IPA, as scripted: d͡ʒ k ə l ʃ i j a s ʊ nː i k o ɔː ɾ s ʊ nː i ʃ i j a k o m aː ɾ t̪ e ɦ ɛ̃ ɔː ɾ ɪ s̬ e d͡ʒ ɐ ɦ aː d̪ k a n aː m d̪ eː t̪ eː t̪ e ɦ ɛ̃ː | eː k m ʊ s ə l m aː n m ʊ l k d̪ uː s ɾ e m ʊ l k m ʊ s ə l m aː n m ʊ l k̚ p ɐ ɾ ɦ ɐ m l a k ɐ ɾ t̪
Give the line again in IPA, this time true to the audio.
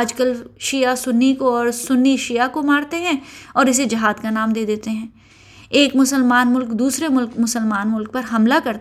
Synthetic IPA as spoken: d͡ʒ k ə l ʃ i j a s ʊ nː i k o ɔː ɾ s ʊ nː i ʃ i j a k o m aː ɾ t̪ e ɦ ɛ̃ ɔː ɾ ɪ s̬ e d͡ʒ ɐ ɦ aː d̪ k a n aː m d̪ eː d̪ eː t̪ e ɦ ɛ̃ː | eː k m ʊ s ə l m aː n m ʊ l k d̪ uː s ɾ e m ʊ l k m ʊ s ə l m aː n m ʊ l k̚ p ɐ ɾ ɦ ɐ m l a k ɐ ɾ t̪